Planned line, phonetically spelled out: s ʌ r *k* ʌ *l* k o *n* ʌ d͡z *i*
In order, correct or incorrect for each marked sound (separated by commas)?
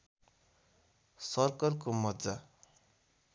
correct, incorrect, incorrect, incorrect